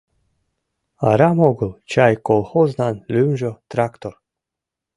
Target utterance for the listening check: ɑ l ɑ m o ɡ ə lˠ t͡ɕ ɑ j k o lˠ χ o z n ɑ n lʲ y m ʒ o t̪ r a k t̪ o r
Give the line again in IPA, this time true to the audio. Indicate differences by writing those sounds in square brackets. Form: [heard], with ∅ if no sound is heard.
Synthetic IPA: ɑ [ɾ] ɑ m o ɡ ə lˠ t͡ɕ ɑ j k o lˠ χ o z n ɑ n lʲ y m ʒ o t̪ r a k t̪ o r